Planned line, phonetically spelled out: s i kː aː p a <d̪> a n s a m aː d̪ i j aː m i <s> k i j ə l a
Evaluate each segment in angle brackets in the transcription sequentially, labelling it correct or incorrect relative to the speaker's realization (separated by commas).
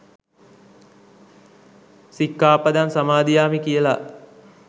correct, incorrect